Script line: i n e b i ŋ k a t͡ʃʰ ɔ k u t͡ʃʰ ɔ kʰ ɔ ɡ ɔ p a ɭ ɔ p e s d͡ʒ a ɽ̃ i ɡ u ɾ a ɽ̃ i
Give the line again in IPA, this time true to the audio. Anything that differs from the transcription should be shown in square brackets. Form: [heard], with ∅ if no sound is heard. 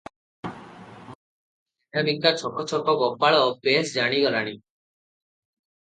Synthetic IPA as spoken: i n [a] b i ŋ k a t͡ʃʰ ɔ k [ɔ] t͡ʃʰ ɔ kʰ ɔ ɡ ɔ p a ɭ ɔ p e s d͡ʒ a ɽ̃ i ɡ [ɔ] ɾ a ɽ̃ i